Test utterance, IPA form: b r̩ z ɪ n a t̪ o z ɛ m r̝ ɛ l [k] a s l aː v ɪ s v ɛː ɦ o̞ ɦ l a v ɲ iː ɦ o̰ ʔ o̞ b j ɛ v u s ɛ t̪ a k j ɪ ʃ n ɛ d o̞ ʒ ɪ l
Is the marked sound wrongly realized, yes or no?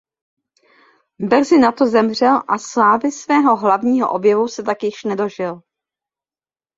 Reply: yes